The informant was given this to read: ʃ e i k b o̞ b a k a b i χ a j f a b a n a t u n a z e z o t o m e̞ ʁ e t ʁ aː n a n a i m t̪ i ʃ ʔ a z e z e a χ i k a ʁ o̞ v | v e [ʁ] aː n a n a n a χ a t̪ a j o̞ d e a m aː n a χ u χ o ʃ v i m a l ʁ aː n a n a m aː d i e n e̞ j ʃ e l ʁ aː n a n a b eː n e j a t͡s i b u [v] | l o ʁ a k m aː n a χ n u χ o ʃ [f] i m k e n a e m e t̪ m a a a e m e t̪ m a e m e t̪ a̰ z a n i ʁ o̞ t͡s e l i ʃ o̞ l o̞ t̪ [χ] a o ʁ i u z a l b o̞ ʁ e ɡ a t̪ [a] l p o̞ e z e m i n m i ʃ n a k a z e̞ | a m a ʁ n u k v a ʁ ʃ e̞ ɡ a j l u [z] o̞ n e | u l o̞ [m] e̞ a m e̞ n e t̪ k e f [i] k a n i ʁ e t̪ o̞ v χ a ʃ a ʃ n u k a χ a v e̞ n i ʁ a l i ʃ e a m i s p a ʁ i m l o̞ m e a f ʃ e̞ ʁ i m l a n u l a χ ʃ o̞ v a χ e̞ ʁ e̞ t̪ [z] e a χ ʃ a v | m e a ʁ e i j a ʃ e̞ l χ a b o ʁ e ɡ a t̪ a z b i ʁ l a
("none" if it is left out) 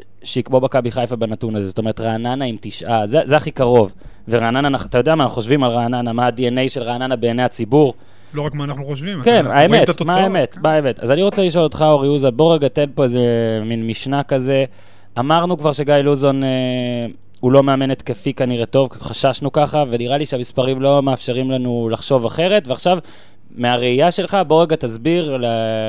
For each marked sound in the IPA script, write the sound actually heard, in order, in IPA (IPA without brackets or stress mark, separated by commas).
ʁ, ʁ, v, χ, e, z, m, i, v